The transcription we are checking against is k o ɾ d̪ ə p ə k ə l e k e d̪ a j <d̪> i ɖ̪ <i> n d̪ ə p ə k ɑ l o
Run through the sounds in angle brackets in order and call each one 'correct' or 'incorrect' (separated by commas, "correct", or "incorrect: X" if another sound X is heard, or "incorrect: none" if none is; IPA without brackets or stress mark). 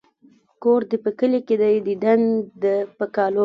correct, incorrect: a